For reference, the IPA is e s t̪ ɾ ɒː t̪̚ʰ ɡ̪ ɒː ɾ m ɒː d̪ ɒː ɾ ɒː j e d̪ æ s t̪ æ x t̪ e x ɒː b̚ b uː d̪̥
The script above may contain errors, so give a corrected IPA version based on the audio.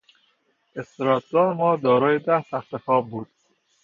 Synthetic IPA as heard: e s t̪ ɾ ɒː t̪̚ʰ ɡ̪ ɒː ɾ m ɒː d̪ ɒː ɾ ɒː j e d̪ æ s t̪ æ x t̪ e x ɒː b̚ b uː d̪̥

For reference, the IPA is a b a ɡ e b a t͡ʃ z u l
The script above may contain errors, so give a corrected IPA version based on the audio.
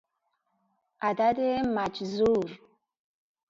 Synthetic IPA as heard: a d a d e m a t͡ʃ z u ɾ

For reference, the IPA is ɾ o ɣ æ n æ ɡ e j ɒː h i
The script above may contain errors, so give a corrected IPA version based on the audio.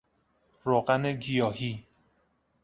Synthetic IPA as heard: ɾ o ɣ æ n e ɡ i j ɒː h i

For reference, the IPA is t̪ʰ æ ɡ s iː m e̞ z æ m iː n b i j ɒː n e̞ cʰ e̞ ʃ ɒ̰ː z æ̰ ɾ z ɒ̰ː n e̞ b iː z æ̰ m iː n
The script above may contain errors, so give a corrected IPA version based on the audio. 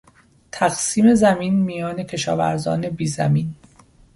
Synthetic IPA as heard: t̪ʰ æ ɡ s iː m e̞ z æ m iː n m i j ɒː n e̞ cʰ e̞ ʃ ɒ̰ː v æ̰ ɾ z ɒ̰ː n e̞ b iː z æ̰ m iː n

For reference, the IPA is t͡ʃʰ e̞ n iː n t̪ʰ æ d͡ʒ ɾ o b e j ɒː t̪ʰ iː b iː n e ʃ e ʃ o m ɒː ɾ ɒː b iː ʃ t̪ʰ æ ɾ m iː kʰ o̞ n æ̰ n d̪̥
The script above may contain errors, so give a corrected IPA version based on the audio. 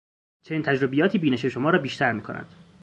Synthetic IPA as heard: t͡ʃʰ e̞ n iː n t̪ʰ æ d͡ʒ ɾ o b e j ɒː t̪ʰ iː b iː n e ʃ e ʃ o m ɒː ɾ ɒː b iː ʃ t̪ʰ æ ɾ m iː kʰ o̞ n æ̰ n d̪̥

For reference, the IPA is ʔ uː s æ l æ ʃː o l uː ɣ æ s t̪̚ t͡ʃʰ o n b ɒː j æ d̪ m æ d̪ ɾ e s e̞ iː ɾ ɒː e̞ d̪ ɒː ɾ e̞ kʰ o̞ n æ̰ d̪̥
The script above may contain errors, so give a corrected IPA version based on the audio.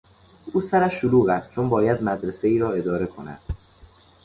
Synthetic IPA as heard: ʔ uː s æ ɾ æ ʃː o l uː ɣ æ s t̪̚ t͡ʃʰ o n b ɒː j æ d̪ m æ d̪ ɾ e s e̞ iː ɾ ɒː e̞ d̪ ɒː ɾ e̞ kʰ o̞ n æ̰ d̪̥

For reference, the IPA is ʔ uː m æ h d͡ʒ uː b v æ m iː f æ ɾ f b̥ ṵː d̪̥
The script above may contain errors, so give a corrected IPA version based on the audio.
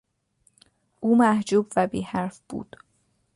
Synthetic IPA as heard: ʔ uː m æ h d͡ʒ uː b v æ b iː h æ ɾ f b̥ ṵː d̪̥

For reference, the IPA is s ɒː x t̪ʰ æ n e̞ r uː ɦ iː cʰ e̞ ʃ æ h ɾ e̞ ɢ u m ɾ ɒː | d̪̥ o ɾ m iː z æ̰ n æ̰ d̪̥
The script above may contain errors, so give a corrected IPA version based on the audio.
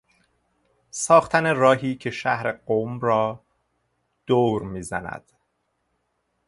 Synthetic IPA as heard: s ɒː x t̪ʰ æ n e̞ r ɒː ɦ iː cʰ e̞ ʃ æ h ɾ e̞ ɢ o m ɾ ɒː | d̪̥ o ɾ m iː z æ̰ n æ̰ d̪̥

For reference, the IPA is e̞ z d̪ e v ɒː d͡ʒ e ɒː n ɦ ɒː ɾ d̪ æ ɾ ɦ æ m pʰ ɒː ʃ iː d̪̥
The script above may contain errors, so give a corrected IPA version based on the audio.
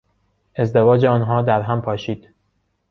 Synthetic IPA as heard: e̞ z d̪ e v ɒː d͡ʒ e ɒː n ɦ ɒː d̪ æ ɾ ɦ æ m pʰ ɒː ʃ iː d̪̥

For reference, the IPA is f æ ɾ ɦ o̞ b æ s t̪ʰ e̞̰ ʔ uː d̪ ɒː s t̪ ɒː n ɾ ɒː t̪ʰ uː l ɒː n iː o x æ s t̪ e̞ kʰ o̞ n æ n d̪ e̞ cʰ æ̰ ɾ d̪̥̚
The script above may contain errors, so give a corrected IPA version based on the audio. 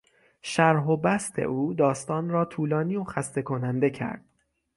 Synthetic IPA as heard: ʃ æ ɾ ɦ o̞ b æ s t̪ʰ e̞̰ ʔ uː d̪ ɒː s t̪ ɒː n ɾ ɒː t̪ʰ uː l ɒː n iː o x æ s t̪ e̞ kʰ o̞ n æ n d̪ e̞ cʰ æ̰ ɾ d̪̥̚

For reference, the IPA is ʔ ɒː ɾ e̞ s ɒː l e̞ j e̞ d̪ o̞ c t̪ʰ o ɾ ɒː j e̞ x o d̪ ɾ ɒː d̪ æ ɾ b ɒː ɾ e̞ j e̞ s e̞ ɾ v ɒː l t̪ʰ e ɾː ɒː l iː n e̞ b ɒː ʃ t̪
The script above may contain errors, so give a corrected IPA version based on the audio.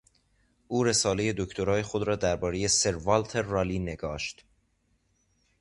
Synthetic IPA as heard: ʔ uː ɾ e̞ s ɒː l e̞ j e̞ d̪ o̞ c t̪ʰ o ɾ ɒː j e̞ x o d̪ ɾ ɒː d̪ æ ɾ b ɒː ɾ e̞ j e̞ s e̞ ɾ v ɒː l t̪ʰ e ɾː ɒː l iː n e̞ ɡ ɒː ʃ t̪

